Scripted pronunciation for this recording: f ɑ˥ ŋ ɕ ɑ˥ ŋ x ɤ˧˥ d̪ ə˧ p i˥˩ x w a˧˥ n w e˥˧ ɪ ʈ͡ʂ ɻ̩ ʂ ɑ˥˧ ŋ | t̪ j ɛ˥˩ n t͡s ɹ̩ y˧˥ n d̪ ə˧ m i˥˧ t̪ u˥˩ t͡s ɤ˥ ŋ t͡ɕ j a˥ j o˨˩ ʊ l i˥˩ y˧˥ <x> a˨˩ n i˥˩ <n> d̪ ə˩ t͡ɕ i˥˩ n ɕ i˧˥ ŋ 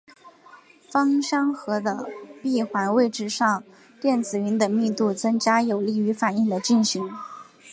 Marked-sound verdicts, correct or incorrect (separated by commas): incorrect, incorrect